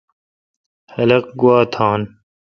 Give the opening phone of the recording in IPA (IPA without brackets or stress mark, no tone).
h